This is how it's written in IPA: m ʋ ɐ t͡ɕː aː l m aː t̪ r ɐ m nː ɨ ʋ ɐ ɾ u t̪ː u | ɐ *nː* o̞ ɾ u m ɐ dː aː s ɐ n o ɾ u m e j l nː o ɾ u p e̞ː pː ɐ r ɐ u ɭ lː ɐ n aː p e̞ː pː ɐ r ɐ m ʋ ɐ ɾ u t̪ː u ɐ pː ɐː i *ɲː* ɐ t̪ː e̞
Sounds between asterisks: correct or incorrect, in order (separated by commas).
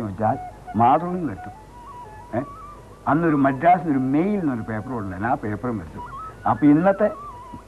correct, incorrect